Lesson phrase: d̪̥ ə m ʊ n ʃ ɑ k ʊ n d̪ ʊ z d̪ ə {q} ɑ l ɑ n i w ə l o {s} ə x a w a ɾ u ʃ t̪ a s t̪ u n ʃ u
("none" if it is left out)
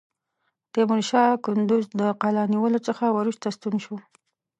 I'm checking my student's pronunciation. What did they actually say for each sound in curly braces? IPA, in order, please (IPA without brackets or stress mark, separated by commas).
q, t͡s